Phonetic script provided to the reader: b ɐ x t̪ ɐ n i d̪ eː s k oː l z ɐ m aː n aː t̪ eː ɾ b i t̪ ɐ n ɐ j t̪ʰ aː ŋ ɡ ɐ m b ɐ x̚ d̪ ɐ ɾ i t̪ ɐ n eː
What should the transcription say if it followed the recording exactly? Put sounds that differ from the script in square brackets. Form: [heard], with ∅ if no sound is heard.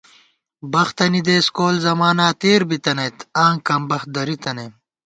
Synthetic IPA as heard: b ɐ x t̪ ɐ n i d̪ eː s k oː l z ɐ m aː n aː t̪ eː ɾ b i t̪ ɐ n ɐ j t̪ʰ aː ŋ [k] ɐ m b ɐ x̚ d̪ ɐ ɾ i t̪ ɐ n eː

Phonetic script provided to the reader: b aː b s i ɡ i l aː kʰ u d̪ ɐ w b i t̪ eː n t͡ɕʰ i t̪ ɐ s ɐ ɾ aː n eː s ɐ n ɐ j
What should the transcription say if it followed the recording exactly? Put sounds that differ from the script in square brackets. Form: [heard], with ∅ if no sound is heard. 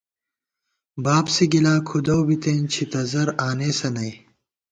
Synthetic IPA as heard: b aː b s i ɡ i l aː kʰ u d̪ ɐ w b i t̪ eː n t͡ɕʰ i t̪ ɐ [z] ɐ ɾ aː n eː s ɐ n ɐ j

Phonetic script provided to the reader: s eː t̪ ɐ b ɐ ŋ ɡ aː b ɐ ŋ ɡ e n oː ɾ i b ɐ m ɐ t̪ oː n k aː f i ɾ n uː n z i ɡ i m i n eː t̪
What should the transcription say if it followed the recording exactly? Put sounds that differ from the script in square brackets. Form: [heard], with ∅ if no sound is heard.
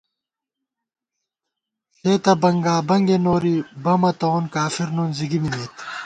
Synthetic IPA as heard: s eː t̪ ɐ b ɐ ŋ ɡ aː b ɐ ŋ ɡ e n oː ɾ i b ɐ m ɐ t̪ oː n k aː f i ɾ n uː n z i ɡ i m i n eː t̪

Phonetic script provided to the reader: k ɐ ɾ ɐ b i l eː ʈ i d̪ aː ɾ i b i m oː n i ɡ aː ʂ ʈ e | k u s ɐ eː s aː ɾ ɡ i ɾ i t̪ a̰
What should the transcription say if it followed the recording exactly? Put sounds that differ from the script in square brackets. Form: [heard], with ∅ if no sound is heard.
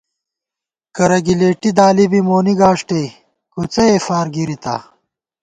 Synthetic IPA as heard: k ɐ ɾ ɐ [ɡ] i l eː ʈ i d̪ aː [l] i b i m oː n i ɡ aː ʂ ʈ e | k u [t͡s] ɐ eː [f] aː ɾ ɡ i ɾ i t̪ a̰

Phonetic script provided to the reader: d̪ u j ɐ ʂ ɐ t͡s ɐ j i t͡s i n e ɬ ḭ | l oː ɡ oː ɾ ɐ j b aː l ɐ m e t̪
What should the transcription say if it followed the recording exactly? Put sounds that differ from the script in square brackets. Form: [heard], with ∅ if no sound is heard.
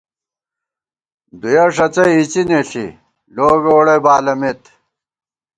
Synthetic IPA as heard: d̪ u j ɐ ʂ ɐ t͡s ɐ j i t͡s i n e ɬ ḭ | l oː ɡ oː [ɽ] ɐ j b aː l ɐ m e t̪

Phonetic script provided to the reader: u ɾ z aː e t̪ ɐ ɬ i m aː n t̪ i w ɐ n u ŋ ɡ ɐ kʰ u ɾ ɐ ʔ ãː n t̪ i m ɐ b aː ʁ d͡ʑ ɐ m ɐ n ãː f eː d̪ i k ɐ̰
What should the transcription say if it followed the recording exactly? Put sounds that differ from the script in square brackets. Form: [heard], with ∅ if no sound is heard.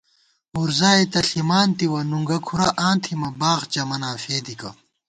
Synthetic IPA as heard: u ɾ z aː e t̪ ɐ ɬ i m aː n t̪ i w ɐ n u ŋ ɡ ɐ kʰ u ɾ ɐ ʔ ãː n [t̪ʰ] i m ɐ b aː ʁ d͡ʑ ɐ m ɐ n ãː f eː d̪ i k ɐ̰

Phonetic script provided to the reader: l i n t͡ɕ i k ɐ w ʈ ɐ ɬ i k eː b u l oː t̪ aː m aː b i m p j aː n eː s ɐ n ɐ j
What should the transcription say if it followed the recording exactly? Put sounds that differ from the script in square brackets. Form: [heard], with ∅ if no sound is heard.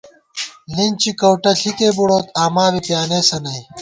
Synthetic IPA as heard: l i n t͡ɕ i k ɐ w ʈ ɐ ɬ i k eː b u [ɽ] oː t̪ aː m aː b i [∅] p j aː n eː s ɐ n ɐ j

